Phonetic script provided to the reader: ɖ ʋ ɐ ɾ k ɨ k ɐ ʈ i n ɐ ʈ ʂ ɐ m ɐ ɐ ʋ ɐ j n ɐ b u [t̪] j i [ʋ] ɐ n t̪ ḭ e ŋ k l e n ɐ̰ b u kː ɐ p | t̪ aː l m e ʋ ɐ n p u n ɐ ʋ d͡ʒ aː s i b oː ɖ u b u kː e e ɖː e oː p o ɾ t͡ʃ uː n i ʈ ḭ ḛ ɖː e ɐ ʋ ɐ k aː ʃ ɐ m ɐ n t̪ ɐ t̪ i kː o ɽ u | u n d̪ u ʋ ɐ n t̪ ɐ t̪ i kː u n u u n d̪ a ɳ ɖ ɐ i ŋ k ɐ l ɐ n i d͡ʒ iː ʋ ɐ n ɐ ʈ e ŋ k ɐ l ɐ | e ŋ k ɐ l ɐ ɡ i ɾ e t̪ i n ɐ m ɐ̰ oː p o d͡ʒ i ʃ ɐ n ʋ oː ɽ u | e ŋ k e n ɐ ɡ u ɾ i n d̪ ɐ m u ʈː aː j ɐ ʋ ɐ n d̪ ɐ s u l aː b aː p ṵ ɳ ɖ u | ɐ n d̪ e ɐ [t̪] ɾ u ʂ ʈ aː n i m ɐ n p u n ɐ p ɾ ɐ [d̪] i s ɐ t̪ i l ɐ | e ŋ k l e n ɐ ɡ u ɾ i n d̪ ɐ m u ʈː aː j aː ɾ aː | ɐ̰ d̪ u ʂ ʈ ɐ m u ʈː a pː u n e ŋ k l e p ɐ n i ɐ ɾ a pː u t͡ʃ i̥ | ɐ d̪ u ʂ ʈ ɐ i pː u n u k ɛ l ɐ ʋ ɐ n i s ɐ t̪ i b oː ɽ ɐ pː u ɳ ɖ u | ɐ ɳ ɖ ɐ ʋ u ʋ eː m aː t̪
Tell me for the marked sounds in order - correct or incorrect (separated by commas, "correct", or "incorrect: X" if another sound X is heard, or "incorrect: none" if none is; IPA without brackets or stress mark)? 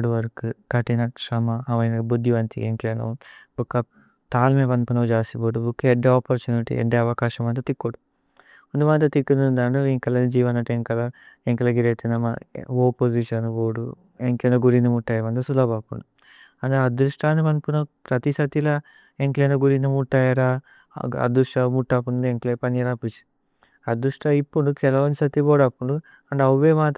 incorrect: d̪, correct, incorrect: d̪, incorrect: t̪